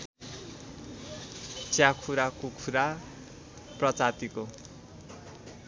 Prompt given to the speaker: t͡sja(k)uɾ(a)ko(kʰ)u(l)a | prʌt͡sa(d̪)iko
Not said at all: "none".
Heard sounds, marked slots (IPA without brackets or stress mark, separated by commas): kʰ, a, kʰ, ɾ, t̪